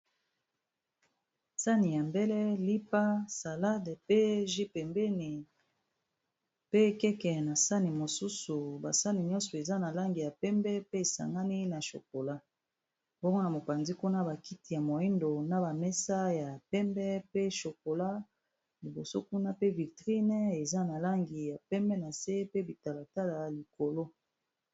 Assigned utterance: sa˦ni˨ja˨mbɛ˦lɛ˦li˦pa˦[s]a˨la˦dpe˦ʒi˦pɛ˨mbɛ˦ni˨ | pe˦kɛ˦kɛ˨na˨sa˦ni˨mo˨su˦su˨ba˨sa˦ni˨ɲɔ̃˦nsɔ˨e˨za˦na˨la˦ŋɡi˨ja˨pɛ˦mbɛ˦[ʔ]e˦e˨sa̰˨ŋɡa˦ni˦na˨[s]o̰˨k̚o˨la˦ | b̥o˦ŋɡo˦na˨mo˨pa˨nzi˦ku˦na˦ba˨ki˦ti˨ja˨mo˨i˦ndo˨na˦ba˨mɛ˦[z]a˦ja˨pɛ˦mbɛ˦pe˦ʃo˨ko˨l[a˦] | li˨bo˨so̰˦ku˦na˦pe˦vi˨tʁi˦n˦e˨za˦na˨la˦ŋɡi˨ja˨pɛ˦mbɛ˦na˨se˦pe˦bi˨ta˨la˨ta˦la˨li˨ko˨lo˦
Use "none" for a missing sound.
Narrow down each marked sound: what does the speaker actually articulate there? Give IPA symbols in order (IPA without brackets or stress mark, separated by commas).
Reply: s, p, ʃ, s, a˦